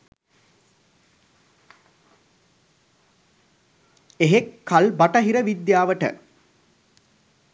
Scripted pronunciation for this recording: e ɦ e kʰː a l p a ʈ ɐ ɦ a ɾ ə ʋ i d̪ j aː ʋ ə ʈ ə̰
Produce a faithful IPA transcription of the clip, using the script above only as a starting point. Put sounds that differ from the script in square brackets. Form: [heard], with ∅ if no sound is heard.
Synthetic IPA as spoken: e ɦ e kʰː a l [b] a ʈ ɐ ɦ [i] ɾ ə ʋ i d̪ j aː ʋ ə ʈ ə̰